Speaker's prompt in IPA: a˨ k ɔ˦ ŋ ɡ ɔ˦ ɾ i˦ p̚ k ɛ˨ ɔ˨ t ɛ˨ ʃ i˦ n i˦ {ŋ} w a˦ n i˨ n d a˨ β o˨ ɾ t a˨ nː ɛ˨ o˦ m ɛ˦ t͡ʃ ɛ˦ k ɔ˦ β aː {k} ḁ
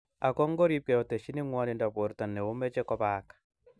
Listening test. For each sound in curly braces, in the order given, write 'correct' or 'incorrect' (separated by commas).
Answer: correct, correct